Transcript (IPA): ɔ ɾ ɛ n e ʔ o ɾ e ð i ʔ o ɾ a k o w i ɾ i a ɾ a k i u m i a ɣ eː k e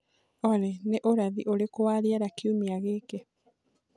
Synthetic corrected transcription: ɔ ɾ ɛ n e ʔ o ɾ a ð i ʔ o ɾ e k o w a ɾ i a ɾ a k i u m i a ɣ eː k e